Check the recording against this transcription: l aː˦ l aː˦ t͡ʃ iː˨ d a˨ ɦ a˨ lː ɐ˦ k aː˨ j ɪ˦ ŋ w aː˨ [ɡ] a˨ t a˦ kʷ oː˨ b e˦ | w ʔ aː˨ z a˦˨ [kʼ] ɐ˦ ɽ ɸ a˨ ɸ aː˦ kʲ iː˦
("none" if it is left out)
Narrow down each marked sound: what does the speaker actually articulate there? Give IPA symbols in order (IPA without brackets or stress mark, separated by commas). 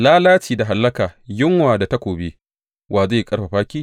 d, kʼ